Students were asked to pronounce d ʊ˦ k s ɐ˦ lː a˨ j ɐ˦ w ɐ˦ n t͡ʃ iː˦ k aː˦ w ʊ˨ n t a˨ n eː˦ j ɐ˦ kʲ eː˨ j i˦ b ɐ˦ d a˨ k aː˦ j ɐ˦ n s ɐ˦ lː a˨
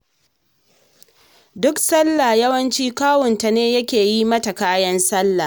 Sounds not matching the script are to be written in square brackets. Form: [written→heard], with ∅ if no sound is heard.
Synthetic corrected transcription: d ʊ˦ k s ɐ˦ lː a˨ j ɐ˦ w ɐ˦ n t͡ʃ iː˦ k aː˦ w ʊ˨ n t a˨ n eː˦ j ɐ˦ kʲ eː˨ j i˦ [b→m] ɐ˦ [d→t] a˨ k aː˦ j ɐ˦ n s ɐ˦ lː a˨